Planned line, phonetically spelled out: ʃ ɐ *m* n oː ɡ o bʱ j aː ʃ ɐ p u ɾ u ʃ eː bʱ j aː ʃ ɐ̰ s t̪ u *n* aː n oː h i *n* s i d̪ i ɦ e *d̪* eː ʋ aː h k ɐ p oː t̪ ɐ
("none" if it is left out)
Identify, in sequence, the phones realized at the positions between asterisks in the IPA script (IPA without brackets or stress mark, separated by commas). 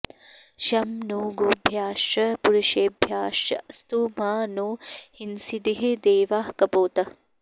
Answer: m, m, n, d̪